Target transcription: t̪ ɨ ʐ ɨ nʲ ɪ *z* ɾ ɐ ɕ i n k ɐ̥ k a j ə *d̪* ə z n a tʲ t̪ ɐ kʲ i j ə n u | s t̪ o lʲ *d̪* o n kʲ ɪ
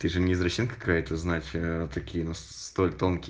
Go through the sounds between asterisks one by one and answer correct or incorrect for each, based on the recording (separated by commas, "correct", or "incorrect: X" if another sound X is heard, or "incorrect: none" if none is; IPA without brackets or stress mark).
correct, incorrect: t̪, incorrect: t̪